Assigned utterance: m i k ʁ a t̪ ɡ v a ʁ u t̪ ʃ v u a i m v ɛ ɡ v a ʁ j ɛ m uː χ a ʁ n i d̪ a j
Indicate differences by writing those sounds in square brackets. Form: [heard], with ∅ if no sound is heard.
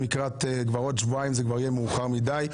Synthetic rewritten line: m i k ʁ a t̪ ɡ v a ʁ [o] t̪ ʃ v u a i m [z] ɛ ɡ v a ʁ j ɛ m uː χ a ʁ [m] i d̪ a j